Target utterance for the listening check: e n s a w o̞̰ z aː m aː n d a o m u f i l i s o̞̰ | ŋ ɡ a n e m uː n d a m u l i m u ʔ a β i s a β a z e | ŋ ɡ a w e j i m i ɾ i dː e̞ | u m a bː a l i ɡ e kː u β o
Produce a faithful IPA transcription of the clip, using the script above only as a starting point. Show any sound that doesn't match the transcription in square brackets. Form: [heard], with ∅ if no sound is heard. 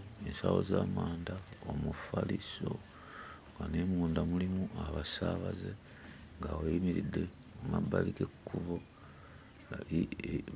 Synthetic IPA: e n s a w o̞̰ z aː m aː n d a o m u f [a] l i s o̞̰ | ŋ ɡ a n e m uː n d a m u l i m u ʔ a β [a] s a β a z e | ŋ ɡ a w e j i m i ɾ i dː e̞ | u m a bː a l i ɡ e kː u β o